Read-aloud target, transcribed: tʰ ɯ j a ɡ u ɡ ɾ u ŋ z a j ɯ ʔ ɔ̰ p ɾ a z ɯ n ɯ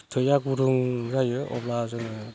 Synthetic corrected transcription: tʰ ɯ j a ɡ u ɾ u ŋ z a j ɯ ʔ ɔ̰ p l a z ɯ n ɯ